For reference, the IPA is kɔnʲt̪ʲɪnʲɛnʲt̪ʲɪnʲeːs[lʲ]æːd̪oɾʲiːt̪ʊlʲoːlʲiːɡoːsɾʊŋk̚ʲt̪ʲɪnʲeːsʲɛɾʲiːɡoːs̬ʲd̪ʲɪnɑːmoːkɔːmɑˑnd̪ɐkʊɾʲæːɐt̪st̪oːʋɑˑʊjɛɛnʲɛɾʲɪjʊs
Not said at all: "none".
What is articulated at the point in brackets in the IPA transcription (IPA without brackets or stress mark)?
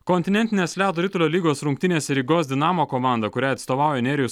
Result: lʲ